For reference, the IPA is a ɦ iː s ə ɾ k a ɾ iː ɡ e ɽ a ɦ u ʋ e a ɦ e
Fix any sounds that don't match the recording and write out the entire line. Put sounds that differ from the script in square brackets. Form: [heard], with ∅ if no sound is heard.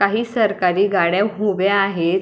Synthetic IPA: a ɦ iː s ə ɾ k a ɾ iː ɡ [a] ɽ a ɦ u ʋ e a ɦ e